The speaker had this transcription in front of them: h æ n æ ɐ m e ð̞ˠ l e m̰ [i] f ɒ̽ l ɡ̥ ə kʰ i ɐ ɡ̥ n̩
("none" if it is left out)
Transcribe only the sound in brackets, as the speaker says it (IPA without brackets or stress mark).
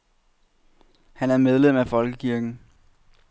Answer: æ